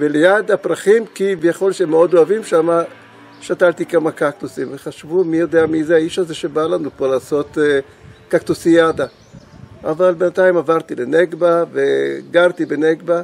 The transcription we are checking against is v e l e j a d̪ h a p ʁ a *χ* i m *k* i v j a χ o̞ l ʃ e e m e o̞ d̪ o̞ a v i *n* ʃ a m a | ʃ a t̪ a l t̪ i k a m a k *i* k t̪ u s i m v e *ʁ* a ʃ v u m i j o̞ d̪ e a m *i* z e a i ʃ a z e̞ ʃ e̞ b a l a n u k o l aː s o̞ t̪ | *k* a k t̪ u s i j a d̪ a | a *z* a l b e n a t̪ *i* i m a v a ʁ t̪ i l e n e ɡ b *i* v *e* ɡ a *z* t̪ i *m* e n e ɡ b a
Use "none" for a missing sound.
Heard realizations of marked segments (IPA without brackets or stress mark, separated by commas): χ, k, m, a, χ, i, k, v, a, a, e, ʁ, b